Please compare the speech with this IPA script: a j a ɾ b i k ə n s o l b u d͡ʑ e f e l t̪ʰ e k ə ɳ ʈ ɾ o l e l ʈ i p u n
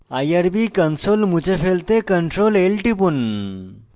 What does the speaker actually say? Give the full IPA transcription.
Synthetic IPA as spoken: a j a ɾ b i k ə n s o l m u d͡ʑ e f e l t̪ e k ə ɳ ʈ ɾ o l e l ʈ i p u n